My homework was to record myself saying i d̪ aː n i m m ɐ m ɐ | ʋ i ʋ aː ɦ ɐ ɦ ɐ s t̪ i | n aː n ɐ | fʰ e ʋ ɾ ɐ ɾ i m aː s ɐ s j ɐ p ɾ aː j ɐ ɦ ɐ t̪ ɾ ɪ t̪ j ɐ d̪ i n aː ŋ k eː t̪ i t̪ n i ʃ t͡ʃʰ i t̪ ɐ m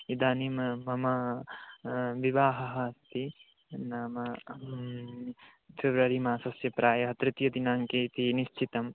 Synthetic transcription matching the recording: i d̪ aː n i m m ɐ m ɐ | ʋ i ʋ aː ɦ ɐ ɦ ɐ s t̪ i | n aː m ɐ | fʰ e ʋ ɾ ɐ ɾ i m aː s ɐ s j ɐ p ɾ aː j ɐ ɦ ɐ t̪ ɾ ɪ t̪ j ɐ d̪ i n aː ŋ k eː t̪ i n i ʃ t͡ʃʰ i t̪ ɐ m

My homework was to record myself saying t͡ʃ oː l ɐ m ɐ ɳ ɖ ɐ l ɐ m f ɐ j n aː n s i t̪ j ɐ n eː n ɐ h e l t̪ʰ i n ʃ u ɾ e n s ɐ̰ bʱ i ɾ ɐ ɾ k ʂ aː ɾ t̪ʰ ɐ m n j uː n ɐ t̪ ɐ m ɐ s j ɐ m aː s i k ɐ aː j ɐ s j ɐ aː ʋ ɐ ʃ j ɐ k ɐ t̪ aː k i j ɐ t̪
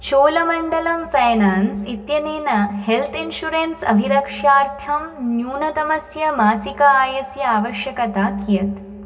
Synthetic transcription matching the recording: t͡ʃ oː l ɐ m ɐ ɳ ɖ ɐ l ɐ m f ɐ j n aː n s i t̪ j ɐ n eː n ɐ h e l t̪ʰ i n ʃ u ɾ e n s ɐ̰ bʱ i ɾ ɐ k ʂ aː ɾ t̪ʰ ɐ m n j uː n ɐ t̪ ɐ m ɐ s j ɐ m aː s i k ɐ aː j ɐ s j ɐ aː ʋ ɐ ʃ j ɐ k ɐ t̪ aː k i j ɐ t̪

